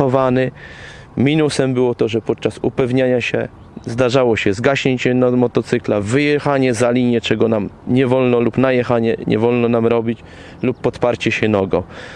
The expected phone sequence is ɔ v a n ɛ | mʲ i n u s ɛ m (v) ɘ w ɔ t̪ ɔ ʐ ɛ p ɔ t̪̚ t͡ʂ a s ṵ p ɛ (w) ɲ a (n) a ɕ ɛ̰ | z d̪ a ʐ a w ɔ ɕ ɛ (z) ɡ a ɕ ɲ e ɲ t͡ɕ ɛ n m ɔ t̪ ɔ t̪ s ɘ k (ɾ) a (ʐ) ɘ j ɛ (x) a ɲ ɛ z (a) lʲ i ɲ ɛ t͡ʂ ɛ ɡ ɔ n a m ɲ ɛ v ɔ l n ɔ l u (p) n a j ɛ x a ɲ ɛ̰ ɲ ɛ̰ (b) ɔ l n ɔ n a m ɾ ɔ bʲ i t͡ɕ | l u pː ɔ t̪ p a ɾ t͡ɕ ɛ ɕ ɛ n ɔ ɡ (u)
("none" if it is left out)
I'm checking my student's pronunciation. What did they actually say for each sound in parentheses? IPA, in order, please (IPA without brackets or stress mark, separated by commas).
b, v, ɲ, z, l, v, x, a, p, v, ɔ